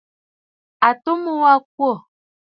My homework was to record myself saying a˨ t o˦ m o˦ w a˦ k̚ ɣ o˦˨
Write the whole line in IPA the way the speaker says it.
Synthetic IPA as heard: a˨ t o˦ m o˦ w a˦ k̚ w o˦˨